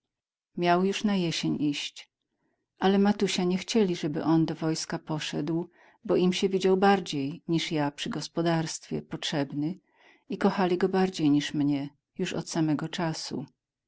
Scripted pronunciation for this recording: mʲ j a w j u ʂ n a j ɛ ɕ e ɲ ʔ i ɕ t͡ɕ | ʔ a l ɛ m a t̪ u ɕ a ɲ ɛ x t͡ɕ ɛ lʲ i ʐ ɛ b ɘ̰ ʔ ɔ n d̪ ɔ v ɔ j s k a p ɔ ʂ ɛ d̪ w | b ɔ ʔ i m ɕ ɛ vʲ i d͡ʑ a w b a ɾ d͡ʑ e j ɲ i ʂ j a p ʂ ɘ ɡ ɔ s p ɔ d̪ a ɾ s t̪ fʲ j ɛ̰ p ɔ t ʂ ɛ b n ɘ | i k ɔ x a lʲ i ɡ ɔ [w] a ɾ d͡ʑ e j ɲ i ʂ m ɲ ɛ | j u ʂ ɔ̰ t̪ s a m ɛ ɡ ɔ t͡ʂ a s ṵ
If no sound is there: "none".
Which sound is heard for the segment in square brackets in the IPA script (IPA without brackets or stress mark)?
b